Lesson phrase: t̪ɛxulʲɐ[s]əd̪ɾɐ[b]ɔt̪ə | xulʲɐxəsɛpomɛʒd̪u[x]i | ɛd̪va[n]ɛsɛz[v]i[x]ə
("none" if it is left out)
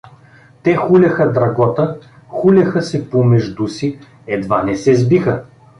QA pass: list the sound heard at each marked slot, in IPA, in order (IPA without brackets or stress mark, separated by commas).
x, ɡ, s, n, b, x